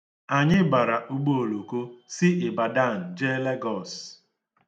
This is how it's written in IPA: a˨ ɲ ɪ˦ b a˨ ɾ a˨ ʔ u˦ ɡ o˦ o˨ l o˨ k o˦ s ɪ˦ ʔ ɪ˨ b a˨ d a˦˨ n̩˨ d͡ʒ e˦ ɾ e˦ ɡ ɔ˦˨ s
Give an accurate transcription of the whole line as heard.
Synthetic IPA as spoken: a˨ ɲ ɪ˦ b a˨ ɾ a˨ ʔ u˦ ɡ͡b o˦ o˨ l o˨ k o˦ s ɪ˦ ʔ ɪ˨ b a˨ d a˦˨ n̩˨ d͡ʒ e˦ l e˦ ɡ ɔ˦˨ s